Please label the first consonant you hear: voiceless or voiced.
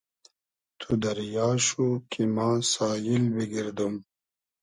voiceless